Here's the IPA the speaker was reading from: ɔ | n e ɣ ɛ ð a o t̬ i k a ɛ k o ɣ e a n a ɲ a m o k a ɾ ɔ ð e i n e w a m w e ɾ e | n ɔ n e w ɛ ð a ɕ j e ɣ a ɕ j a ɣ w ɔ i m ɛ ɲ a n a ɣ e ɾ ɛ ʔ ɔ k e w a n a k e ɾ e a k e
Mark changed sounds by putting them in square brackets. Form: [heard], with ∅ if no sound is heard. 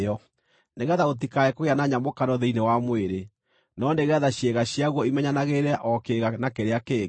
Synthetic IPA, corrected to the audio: ɔ | n e ɣ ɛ ð a o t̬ i k a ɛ k o ɣ e a n a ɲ a m o k a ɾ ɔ ð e i n e w a m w e ɾ e | n ɔ n e [ɣ] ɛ ð a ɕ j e ɣ a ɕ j a ɣ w ɔ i m ɛ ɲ a n a ɣ e ɾ ɛ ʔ ɔ k e [ɣ] a n a k e ɾ e a k e